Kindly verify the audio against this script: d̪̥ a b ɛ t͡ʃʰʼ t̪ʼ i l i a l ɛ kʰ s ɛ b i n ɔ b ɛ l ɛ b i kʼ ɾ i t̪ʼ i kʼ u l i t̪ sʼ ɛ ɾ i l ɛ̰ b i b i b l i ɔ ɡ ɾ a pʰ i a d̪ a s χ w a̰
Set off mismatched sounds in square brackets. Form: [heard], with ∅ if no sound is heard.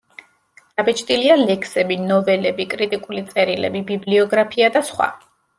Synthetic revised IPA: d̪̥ a b ɛ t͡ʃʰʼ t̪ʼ i l i a l ɛ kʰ s ɛ b i n ɔ [v] ɛ l ɛ b i kʼ ɾ i t̪ʼ i kʼ u l i t̪ sʼ ɛ ɾ i l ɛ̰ b i b i b l i ɔ ɡ ɾ a pʰ i a d̪ a s χ w a̰

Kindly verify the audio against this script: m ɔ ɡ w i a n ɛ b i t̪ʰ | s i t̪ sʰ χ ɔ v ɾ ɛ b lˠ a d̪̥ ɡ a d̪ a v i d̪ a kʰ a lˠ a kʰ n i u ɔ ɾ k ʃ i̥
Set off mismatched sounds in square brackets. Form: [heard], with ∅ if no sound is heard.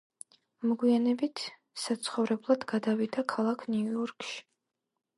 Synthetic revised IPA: m ɔ ɡ w i a n ɛ b i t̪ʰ | s [a] t̪ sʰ χ ɔ v ɾ ɛ b lˠ a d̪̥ ɡ a d̪ a v i d̪ a kʰ a lˠ a kʰ n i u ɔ ɾ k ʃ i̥

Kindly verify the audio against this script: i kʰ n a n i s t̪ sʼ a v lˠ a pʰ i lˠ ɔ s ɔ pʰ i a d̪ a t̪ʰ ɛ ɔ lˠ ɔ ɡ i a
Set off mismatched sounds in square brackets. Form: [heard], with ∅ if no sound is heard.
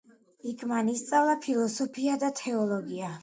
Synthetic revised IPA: i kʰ [m] a n i s t̪ sʼ a v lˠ a pʰ i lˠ ɔ s ɔ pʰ i a d̪ a t̪ʰ ɛ ɔ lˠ ɔ ɡ i a

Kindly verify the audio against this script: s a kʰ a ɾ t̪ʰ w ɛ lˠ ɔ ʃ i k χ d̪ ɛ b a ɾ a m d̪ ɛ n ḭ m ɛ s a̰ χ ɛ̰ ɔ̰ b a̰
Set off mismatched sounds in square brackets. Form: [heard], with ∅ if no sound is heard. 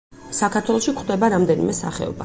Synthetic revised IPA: s a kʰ a ɾ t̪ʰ w ɛ lˠ ɔ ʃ i k χ d̪ ɛ b a ɾ a m d̪ ɛ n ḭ m ɛ s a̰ χ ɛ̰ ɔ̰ b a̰

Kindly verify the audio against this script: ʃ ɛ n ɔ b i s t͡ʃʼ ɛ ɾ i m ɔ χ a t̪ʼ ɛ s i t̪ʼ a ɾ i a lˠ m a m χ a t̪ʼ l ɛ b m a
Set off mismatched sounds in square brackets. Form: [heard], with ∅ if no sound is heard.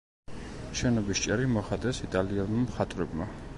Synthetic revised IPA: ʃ ɛ n ɔ b i s t͡ʃʼ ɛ ɾ i m ɔ χ a t̪ʼ ɛ s i t̪ʼ a [l] i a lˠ m a m χ a t̪ʼ [ɾ] ɛ b m a

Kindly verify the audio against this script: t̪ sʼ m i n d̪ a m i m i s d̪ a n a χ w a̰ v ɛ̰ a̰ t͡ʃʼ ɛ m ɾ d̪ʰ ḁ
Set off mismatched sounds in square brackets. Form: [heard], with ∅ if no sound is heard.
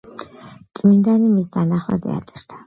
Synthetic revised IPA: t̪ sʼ m i n d̪ a [n] i m i s d̪ a n a χ w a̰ [z] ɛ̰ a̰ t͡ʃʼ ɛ [∅] ɾ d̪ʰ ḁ

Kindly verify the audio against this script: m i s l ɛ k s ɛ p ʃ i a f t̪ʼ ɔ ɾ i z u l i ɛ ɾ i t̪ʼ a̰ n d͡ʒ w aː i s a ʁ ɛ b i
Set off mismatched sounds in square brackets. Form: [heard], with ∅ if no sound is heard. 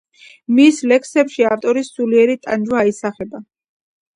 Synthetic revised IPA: m i s l ɛ k s ɛ p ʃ i a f t̪ʼ ɔ ɾ i [s] u l i ɛ ɾ i t̪ʼ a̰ n d͡ʒ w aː i s a [χ] ɛ b [a]

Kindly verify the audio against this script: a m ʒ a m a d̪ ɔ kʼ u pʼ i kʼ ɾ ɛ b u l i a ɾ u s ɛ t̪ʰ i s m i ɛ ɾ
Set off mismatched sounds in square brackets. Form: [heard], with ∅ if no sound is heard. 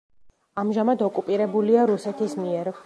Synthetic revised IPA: a m ʒ a m a d̪ ɔ kʼ u pʼ i [∅] ɾ ɛ b u l i a ɾ u s ɛ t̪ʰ i s m i ɛ ɾ

